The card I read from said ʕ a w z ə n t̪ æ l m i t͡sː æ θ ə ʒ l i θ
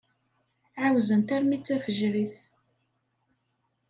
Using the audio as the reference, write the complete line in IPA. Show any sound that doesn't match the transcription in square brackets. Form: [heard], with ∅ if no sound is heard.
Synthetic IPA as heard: ʕ a w z ə n t̪ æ [ɾ] m i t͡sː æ [f] ə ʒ [ɾ] i θ